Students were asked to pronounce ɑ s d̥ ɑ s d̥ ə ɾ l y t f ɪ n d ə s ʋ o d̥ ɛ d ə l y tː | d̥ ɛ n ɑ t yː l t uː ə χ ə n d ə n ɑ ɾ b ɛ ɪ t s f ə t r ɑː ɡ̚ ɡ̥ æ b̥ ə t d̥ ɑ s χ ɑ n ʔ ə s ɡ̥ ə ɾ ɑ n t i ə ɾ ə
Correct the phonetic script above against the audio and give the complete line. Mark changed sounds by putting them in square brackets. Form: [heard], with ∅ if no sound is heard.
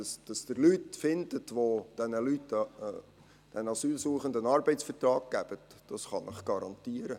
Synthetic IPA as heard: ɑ s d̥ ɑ s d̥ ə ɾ l y t f ɪ n d ə [t] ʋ o d̥ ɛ [n] ə l y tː | d̥ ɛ n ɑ [s] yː l [s] uː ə χ ə n d ə n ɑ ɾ b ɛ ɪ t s f ə t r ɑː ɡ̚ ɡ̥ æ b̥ ə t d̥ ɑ s χ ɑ n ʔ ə [χ] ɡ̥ [ɑ] ɾ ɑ n t i ə ɾ ə